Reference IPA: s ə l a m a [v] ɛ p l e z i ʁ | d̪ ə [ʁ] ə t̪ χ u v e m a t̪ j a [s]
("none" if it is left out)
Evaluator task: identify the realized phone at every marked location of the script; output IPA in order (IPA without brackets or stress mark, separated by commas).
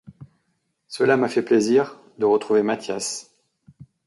f, ʁ, s